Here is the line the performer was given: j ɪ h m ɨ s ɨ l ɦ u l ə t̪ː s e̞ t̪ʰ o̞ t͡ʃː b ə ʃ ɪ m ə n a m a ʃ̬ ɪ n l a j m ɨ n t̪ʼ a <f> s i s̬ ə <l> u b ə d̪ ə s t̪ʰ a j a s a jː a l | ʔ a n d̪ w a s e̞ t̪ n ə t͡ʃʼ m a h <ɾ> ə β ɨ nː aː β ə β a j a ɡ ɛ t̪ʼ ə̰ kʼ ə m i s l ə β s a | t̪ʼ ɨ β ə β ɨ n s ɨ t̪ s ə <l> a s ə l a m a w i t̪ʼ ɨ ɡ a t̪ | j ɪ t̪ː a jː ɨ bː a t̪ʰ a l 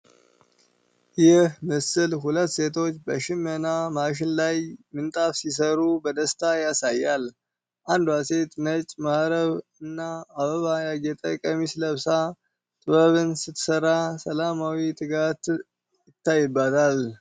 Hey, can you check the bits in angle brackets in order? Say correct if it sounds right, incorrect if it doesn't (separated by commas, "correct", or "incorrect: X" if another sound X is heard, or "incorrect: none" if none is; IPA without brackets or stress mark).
correct, incorrect: ɾ, correct, incorrect: ɾ